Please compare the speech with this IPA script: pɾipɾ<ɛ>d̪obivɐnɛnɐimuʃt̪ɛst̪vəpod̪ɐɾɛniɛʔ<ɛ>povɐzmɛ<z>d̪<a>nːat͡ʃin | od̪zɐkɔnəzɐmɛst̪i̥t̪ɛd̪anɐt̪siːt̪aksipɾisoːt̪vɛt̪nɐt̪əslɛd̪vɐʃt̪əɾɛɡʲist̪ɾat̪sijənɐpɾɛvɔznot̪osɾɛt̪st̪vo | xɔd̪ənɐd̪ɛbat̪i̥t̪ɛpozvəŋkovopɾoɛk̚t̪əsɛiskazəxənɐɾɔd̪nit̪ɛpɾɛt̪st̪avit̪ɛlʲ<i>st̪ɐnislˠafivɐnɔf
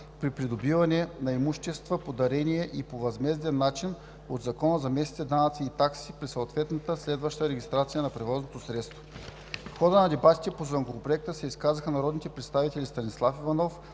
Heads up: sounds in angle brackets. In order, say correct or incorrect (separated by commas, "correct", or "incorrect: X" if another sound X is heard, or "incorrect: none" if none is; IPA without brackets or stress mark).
incorrect: i, incorrect: i, correct, incorrect: ɛ, correct